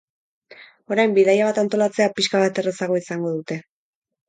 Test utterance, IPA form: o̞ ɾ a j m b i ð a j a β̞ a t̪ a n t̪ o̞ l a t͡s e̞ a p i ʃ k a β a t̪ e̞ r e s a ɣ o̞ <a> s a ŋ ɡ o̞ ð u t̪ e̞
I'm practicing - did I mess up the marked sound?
yes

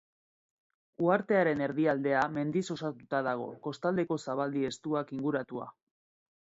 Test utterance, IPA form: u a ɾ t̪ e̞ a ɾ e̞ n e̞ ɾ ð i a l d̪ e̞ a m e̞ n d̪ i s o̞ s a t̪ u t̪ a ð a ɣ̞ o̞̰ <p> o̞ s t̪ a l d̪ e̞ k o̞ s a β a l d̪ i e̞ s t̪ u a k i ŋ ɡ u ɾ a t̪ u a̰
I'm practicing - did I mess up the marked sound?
yes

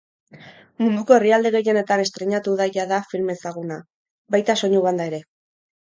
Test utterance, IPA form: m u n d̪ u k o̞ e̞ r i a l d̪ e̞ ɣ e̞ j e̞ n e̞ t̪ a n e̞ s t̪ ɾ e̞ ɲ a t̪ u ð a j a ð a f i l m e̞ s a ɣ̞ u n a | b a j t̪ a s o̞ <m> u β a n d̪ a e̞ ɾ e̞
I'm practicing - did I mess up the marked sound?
yes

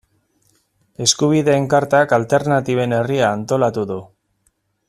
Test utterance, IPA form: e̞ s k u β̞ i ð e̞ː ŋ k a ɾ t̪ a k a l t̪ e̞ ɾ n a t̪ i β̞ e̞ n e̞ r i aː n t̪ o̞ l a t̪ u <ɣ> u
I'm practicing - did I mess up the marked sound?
yes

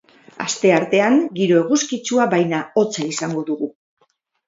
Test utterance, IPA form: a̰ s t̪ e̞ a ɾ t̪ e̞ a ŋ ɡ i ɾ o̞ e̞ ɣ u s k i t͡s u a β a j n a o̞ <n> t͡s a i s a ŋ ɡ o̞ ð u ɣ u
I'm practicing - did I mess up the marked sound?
yes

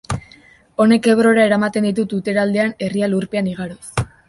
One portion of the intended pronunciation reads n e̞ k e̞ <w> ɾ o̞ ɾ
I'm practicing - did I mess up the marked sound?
yes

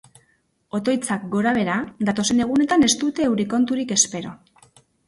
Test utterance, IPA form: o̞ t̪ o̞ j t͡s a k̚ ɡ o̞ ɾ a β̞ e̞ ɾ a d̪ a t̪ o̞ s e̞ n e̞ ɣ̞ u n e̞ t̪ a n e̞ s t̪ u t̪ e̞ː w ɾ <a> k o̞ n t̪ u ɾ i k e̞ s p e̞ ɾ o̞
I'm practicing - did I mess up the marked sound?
yes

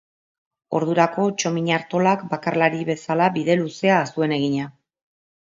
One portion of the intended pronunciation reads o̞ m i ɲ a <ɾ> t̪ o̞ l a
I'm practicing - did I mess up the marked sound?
no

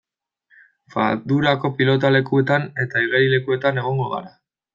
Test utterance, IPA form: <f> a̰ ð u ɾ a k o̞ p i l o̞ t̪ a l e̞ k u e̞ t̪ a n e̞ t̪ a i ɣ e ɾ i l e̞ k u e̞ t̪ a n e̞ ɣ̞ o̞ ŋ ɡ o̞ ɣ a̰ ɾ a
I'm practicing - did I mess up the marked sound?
no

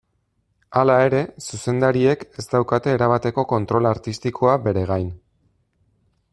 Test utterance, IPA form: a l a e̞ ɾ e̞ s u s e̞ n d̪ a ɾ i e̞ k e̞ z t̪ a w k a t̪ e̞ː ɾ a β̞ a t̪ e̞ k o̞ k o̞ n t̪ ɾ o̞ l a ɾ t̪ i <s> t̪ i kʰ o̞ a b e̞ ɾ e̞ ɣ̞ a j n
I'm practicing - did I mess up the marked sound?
no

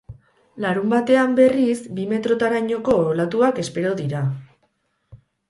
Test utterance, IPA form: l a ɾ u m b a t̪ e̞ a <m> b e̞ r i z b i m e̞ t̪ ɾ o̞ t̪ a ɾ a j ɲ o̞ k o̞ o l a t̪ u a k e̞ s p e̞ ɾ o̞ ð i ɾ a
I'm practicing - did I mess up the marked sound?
no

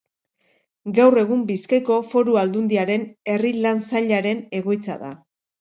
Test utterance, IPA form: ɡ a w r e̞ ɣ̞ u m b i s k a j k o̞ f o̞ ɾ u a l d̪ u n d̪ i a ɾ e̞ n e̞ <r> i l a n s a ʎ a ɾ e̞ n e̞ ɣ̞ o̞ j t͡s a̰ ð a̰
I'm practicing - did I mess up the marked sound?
no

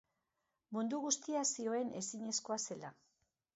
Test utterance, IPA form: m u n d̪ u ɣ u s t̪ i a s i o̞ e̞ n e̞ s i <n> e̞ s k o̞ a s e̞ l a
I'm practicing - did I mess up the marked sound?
yes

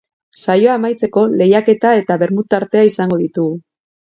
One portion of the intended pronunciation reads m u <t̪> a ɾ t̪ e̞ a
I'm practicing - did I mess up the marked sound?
no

